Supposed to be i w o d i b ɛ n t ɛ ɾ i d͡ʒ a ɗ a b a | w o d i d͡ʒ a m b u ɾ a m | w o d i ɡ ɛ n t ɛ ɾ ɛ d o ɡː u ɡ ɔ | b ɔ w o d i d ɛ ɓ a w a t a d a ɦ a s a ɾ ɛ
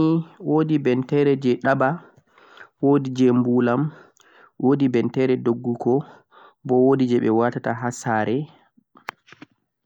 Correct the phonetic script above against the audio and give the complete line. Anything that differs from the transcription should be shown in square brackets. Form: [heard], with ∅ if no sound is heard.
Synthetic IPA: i w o d i b ɛ n t ɛ ɾ [ɛ] d͡ʒ [ɛ] ɗ a b a | w o d i d͡ʒ [ɛ] m b u [l] a m | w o d i [b] ɛ n t ɛ ɾ ɛ d o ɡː u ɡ ɔ | b ɔ w o d i [d͡ʒ] ɛ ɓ [ɛ] w a t a [t] a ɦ a s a ɾ ɛ